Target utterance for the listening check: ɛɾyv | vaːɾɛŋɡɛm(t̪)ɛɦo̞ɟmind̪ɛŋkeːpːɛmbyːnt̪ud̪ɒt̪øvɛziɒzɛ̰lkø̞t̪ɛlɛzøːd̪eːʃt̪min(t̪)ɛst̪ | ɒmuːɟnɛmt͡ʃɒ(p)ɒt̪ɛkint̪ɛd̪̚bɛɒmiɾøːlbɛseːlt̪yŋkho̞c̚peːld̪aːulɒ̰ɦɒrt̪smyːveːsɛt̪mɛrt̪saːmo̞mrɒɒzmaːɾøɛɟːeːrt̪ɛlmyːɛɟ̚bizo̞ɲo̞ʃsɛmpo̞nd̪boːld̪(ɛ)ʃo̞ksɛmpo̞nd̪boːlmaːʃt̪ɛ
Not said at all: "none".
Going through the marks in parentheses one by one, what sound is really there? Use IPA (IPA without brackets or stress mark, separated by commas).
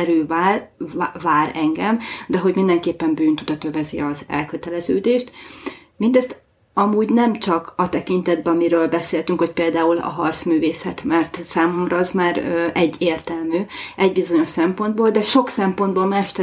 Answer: d̪, d̪, k, ɛ